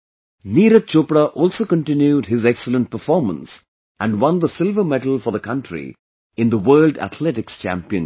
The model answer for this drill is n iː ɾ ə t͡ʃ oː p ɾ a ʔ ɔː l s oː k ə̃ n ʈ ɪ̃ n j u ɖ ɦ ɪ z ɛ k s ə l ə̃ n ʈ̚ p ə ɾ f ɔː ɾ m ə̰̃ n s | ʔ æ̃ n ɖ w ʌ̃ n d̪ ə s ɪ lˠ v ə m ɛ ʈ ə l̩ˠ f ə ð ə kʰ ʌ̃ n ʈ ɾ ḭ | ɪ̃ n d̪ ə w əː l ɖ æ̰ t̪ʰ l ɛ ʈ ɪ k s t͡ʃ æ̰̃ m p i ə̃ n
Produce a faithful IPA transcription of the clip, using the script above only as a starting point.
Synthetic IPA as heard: n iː ɾ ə t͡ʃ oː p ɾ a ʔ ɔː l s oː k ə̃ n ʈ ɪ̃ n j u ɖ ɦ ɪ z ɛ k s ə l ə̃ n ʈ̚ p ə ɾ f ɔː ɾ m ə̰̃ n s | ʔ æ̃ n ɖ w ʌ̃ n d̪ ə s ɪ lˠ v ə m ɛ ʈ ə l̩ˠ f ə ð ə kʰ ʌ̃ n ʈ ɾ ḭ | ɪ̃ n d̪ ə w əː l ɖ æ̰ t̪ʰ l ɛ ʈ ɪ k s t͡ʃ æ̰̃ m p i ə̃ n